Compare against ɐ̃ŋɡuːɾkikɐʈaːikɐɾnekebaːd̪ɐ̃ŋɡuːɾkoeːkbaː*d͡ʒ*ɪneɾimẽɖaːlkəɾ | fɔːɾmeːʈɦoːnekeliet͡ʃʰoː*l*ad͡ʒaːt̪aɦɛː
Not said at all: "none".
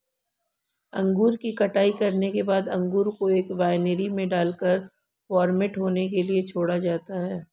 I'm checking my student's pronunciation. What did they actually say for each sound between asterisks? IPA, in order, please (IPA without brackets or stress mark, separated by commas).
none, ɽ